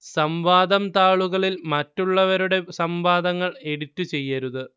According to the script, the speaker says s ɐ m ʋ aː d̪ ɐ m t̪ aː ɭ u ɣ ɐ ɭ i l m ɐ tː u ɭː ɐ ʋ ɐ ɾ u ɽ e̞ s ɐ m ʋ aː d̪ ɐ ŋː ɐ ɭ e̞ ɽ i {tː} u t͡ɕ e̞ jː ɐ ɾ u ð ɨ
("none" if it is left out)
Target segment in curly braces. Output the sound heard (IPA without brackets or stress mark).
tː